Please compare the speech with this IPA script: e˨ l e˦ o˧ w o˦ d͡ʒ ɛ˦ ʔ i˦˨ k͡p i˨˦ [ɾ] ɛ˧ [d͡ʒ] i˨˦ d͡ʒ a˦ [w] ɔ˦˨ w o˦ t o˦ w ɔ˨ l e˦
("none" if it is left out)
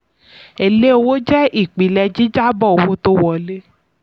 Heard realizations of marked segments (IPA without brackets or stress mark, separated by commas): l, d͡ʒ, b